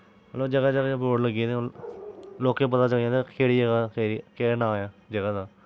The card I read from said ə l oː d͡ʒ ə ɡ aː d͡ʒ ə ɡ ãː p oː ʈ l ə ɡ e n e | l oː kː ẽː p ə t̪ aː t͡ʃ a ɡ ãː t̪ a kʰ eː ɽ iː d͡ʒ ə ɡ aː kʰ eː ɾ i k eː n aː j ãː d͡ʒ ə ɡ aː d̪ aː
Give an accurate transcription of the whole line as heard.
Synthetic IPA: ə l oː d͡ʒ ə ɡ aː d͡ʒ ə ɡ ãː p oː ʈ l ə ɡ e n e | l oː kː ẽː p ə t̪ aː t͡ʃ ə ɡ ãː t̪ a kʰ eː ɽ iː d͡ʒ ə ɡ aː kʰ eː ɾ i k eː n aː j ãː d͡ʒ ə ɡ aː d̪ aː